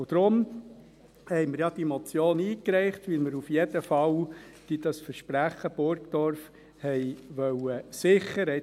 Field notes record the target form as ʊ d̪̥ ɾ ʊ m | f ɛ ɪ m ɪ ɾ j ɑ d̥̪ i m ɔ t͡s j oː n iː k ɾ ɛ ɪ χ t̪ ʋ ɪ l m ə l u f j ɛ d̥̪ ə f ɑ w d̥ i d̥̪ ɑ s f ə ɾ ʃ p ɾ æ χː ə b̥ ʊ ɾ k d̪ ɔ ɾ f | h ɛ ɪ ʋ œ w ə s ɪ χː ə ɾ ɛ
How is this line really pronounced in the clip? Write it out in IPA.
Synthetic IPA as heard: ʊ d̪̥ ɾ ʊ m | h ɛ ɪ m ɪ ɾ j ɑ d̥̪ i m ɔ t͡s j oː n iː k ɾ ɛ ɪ χ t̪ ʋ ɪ l m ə ɾ u f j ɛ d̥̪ ə f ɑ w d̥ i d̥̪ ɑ s f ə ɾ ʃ p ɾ æ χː ə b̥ ʊ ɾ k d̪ ɔ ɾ f | h ɛ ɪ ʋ œ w ə s ɪ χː ə ɾ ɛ